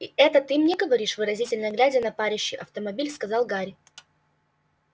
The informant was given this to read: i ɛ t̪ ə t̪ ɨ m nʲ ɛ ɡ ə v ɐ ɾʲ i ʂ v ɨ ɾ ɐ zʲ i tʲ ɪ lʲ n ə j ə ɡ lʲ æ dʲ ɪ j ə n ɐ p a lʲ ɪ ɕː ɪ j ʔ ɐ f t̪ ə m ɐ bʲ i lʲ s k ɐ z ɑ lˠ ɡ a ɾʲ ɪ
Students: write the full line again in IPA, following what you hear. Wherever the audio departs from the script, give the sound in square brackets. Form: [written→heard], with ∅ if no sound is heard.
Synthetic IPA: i ɛ t̪ ə t̪ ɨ m nʲ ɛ ɡ ə v ɐ ɾʲ i ʂ v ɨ ɾ ɐ zʲ i tʲ ɪ lʲ n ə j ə ɡ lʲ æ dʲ ɪ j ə n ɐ p a [lʲ→ɾʲ] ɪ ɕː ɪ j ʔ ɐ f t̪ ə m ɐ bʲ i lʲ s k ɐ z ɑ lˠ ɡ a ɾʲ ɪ